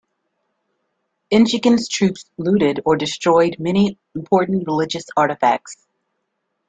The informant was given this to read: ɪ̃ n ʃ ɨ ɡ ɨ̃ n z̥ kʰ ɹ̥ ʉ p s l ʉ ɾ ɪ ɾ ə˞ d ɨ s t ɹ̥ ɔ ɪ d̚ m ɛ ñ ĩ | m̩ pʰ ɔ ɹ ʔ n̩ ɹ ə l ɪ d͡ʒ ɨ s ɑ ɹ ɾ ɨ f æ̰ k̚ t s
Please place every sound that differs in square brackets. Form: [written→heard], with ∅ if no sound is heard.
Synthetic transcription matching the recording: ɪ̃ n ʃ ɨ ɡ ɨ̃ n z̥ [kʰ→tʰ] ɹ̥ ʉ p s l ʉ ɾ ɪ ɾ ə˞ d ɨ s t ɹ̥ ɔ ɪ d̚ m ɛ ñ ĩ | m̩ pʰ ɔ ɹ ʔ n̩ ɹ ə l ɪ d͡ʒ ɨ s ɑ ɹ ɾ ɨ f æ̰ k̚ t s

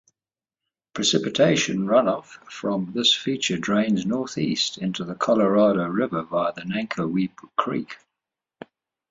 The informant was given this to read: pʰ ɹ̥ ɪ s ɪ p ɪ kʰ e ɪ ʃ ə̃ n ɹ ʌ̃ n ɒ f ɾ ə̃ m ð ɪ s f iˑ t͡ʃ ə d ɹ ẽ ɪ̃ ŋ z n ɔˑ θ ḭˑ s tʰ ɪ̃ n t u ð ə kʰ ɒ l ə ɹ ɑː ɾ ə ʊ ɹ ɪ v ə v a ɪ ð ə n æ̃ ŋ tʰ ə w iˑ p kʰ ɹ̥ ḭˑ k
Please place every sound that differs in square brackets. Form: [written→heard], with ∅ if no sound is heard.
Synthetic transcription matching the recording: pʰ ɹ̥ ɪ s ɪ p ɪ [kʰ→tʰ] e ɪ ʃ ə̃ n ɹ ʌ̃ n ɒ f [ɾ→ɹ] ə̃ m ð ɪ s f iˑ t͡ʃ ə d ɹ ẽ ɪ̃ [ŋ→n] z n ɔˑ θ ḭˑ s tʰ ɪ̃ n t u ð ə kʰ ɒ l ə ɹ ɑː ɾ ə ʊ ɹ ɪ v ə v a ɪ ð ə n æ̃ ŋ [tʰ→kʰ] ə w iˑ p kʰ ɹ̥ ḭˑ k

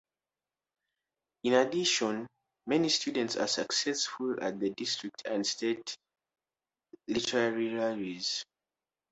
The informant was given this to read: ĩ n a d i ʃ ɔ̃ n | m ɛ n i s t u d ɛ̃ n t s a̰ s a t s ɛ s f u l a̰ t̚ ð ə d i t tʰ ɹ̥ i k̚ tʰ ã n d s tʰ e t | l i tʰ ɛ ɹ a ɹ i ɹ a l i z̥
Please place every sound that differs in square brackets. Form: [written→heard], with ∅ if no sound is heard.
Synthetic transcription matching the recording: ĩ n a d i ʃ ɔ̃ n | m ɛ n i s t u d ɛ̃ n t s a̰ s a [t→k] s ɛ s f u l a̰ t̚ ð ə d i [t→s] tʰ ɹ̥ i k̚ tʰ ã n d s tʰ e t | l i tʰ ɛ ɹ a ɹ i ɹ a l i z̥

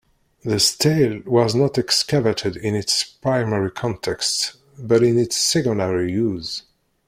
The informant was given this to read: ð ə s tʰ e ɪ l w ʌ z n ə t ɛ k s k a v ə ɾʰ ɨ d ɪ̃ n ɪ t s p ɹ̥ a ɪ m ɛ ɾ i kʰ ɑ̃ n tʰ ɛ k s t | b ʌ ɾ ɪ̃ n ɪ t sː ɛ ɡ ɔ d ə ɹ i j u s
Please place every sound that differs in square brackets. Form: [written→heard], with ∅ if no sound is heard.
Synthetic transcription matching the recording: ð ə s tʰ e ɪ l w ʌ z n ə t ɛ k s k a v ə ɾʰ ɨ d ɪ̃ n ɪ t s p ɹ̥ a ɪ m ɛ [ɾ→ɹ] i kʰ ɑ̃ n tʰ ɛ k s t | b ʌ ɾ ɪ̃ n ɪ t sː ɛ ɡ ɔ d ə ɹ i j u [s→z]

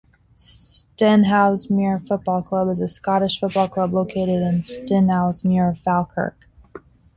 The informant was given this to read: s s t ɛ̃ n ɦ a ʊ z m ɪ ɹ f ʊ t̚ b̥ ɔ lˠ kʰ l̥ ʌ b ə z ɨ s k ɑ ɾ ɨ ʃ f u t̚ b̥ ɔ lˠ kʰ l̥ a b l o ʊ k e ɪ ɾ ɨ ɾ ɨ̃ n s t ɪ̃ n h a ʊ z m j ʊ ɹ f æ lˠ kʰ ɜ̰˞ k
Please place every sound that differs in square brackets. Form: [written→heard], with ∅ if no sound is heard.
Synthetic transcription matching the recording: s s t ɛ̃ n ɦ a ʊ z m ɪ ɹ f ʊ t̚ b̥ ɔ lˠ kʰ l̥ ʌ b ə z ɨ s k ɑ ɾ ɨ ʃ f [u→ʊ] t̚ b̥ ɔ lˠ kʰ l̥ [a→ʌ] b l o ʊ [k→kʰ] e ɪ ɾ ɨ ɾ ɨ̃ n s t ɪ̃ n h a ʊ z m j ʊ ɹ f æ lˠ kʰ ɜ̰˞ k

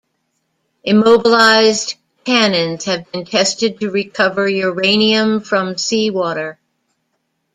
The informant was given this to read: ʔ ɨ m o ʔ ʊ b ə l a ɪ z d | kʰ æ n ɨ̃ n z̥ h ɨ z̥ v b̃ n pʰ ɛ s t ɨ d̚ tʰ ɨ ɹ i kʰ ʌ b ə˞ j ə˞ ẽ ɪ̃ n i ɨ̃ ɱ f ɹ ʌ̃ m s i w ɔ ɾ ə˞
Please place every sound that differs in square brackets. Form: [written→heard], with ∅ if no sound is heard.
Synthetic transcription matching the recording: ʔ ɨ m o [ʔ→∅] ʊ b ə l a ɪ z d | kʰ æ n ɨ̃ n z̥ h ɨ [z̥→∅] v b̃ n [pʰ→tʰ] ɛ s t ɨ d̚ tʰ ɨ ɹ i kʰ ʌ [b→v] ə˞ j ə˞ ẽ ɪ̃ n i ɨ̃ ɱ f ɹ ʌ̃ m s i w ɔ ɾ ə˞

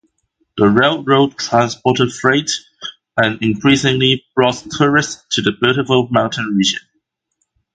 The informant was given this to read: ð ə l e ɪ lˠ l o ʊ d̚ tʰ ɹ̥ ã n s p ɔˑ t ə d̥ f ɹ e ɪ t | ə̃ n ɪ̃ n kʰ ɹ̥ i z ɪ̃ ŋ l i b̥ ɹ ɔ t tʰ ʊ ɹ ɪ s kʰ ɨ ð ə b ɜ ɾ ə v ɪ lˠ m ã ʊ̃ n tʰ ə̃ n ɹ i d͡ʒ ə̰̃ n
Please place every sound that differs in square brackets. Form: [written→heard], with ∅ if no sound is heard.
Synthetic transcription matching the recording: ð ə [l→ɹ] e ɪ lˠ [l→ɹ] o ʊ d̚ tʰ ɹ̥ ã n s p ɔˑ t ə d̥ f ɹ e ɪ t | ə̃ n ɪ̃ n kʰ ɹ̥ i [z→s] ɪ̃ ŋ l i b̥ ɹ ɔ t tʰ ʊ ɹ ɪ s [kʰ→tʰ] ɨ ð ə b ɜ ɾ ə v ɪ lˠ m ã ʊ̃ n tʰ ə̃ n ɹ i d͡ʒ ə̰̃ n

